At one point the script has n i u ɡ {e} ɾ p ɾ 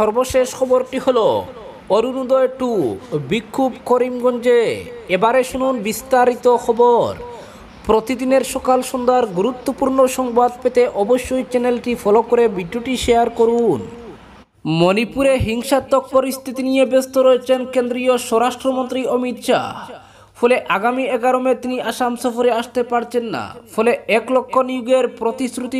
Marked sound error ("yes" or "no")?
no